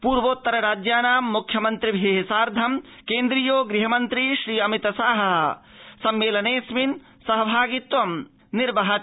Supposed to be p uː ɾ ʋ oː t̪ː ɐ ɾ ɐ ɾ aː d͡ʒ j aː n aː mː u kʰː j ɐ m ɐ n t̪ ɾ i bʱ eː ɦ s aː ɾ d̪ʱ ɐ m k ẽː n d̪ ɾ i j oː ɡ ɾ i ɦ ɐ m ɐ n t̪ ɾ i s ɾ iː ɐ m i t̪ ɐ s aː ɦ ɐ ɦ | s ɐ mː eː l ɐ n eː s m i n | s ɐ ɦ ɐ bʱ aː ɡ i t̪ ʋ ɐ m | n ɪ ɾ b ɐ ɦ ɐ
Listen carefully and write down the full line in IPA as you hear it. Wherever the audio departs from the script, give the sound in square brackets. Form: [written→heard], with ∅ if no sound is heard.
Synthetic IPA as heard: p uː ɾ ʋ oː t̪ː ɐ ɾ ɐ ɾ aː d͡ʒ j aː n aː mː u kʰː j ɐ m ɐ n t̪ ɾ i bʱ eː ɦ s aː ɾ d̪ʱ ɐ m k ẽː n d̪ ɾ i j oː ɡ ɾ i ɦ ɐ m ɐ n t̪ ɾ i [s→ʃ] ɾ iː ɐ m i t̪ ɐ s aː ɦ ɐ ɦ | s ɐ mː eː l ɐ n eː s m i n | s ɐ ɦ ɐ bʱ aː ɡ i t̪ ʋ ɐ m | n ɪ ɾ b ɐ ɦ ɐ